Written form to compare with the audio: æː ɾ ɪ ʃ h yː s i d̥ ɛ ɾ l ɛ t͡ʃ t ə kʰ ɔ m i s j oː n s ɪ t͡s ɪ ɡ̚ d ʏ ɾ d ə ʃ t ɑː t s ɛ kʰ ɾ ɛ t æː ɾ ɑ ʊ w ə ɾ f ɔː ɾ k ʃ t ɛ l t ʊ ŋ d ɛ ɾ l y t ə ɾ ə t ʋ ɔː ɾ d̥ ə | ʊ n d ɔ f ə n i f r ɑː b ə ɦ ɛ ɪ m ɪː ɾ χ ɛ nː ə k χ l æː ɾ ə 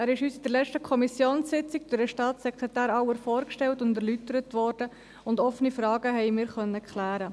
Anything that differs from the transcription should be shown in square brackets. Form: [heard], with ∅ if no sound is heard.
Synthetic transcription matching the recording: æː ɾ ɪ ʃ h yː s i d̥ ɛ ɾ l ɛ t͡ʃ t ə kʰ ɔ m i s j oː n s ɪ t͡s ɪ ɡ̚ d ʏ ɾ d ə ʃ t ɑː t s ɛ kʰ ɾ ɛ t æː ɾ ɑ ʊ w ə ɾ f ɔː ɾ k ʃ t ɛ l t ʊ [n] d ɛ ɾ l y t ə ɾ ə t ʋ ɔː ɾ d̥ ə | ʊ n d ɔ f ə n i f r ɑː [ɡ] ə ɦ ɛ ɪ m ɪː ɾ χ [œ] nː ə k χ l æː ɾ ə